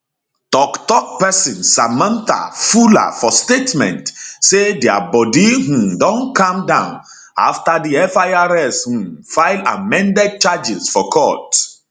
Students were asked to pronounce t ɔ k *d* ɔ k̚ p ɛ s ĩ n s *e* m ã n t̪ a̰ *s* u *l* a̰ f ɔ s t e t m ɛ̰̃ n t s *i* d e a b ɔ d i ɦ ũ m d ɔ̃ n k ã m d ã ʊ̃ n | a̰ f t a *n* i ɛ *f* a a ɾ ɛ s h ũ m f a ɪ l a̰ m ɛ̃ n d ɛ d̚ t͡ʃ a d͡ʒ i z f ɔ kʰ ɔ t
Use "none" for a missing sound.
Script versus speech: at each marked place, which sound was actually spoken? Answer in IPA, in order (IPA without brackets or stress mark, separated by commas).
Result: t, a, f, l, e, d, f